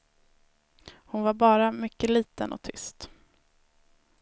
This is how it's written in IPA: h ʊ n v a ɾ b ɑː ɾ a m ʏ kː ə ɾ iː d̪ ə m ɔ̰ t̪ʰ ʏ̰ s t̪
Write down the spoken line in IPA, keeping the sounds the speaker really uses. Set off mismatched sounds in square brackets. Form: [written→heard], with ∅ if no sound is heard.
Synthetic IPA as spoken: h ʊ n v a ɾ b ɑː ɾ a m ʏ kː ə [ɾ→l] iː [d̪→t̪] ə [m→n] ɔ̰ t̪ʰ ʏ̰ s t̪